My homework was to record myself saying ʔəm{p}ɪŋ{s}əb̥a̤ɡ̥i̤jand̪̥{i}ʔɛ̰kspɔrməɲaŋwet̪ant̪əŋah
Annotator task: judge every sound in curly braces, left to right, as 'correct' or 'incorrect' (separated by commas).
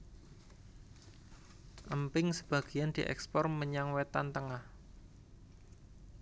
correct, correct, correct